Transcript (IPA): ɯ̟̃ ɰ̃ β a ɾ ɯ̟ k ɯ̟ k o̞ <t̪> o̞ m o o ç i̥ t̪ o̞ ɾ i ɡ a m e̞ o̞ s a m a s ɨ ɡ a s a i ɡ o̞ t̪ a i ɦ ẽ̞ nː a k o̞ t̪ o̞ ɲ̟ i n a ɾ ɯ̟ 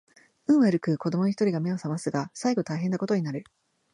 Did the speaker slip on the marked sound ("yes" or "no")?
yes